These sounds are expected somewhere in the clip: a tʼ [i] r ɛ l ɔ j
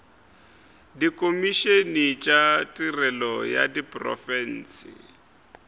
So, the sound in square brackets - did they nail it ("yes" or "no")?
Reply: yes